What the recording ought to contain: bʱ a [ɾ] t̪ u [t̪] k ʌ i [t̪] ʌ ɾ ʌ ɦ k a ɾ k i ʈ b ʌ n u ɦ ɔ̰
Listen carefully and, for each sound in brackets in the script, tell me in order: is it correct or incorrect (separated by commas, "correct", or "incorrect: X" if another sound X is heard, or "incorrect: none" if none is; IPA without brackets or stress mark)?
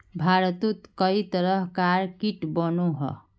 correct, correct, correct